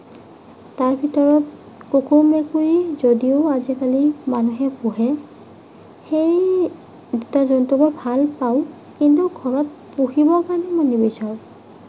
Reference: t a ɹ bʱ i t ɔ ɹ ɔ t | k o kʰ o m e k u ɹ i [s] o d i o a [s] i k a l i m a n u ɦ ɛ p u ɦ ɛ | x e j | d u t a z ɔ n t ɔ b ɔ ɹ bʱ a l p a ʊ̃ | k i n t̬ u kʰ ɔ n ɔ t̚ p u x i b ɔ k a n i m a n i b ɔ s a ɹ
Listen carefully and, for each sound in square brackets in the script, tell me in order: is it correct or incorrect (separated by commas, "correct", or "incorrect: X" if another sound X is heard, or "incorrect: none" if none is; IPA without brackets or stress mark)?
incorrect: z, incorrect: z